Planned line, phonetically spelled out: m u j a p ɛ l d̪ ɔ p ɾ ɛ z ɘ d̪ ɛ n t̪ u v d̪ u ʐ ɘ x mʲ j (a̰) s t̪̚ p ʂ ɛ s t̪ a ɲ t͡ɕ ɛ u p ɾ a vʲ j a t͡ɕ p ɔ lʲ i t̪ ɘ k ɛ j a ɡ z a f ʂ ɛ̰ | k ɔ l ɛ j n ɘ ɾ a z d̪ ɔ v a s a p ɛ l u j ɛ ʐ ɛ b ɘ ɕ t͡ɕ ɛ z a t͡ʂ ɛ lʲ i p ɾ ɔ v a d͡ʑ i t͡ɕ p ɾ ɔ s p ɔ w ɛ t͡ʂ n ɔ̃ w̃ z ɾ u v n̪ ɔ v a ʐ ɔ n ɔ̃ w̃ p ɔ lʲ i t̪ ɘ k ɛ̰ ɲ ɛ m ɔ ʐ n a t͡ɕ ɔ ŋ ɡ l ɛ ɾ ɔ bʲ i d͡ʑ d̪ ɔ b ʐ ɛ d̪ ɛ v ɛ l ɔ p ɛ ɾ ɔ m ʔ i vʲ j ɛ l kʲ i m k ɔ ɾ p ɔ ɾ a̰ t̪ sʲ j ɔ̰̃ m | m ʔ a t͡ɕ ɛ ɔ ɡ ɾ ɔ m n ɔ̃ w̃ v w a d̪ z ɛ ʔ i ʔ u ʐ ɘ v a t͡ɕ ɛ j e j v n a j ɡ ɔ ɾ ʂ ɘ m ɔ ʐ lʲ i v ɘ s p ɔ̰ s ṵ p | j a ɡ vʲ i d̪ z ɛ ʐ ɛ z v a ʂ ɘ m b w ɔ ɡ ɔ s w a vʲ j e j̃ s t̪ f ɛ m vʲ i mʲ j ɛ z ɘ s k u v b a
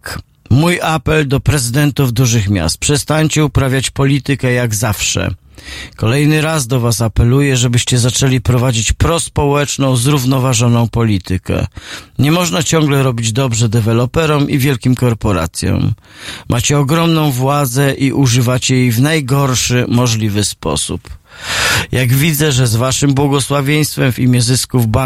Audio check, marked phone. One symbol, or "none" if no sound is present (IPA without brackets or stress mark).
a̰